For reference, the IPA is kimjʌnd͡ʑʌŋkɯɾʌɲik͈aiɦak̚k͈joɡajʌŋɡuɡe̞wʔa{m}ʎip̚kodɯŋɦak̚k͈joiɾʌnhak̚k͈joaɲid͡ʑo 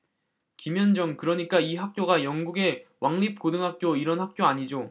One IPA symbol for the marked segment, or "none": ŋ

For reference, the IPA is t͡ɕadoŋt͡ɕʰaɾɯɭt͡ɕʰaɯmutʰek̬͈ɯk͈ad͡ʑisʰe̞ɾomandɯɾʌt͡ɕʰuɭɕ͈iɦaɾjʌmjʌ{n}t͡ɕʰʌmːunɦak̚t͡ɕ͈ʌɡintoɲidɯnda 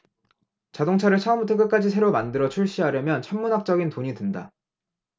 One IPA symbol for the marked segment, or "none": n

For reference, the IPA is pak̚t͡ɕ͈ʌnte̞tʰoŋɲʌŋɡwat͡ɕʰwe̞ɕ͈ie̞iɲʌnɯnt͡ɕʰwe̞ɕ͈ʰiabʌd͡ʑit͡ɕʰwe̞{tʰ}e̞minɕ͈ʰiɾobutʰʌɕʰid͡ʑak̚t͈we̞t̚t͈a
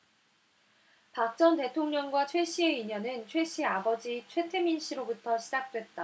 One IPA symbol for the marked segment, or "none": tʰ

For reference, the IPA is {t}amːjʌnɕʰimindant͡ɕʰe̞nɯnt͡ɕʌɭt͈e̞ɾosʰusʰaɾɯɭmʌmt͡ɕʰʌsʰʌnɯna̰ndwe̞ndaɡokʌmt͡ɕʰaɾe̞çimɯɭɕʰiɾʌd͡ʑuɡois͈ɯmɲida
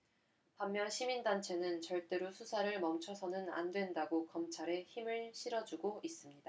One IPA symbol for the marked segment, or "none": p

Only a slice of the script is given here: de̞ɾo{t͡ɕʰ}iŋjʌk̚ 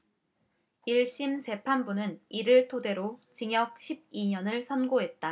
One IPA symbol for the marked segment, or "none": t͡ɕ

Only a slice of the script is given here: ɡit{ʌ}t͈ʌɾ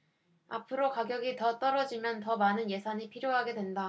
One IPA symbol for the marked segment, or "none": ʌ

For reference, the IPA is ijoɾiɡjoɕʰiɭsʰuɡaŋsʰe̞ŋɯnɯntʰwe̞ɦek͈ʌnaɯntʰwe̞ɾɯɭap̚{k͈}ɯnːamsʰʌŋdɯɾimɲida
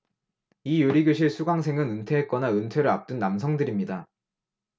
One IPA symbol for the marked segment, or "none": t͈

